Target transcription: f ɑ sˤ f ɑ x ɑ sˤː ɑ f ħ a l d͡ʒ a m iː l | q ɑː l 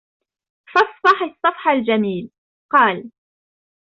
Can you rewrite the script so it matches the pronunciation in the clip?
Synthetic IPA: f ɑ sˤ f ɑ ħ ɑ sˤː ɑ f ħ a l d͡ʒ a m iː l | q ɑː l